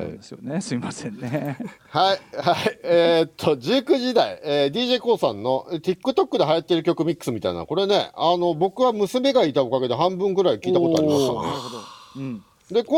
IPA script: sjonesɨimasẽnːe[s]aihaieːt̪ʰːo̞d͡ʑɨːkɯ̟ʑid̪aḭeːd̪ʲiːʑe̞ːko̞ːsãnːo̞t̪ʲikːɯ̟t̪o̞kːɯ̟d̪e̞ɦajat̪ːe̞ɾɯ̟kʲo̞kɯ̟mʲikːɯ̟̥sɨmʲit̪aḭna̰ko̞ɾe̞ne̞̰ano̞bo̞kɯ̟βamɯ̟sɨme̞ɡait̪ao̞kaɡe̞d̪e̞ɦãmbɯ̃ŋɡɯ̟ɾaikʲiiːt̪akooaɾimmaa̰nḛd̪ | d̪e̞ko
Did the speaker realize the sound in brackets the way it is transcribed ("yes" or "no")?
no